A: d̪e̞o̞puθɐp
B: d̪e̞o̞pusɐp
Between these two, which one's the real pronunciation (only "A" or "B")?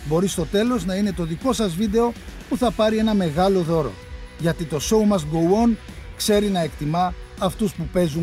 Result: A